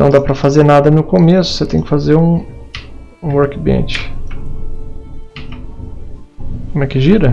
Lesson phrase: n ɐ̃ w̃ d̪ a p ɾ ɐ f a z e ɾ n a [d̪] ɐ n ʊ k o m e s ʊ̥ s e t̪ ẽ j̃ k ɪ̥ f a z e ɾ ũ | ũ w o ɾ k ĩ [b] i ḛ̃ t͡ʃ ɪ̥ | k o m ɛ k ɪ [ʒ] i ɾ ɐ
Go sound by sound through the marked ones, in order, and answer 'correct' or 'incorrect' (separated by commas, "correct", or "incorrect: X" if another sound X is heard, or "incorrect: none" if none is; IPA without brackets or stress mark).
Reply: correct, correct, correct